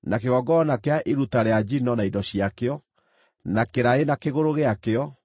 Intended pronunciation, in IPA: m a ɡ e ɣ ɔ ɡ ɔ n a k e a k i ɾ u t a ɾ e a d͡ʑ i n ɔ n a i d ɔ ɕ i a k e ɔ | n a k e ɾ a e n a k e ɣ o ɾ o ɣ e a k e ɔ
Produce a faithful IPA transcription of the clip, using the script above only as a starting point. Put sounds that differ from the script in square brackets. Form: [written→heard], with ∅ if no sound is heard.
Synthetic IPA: [m→n] a [ɡ→k] e ɣ ɔ ɡ ɔ n a k e a [k→ʔ] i ɾ u t a ɾ e a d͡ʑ i n ɔ n a i d ɔ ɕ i a k e ɔ | n a k e ɾ a e n a k e ɣ o ɾ o ɣ e a k e ɔ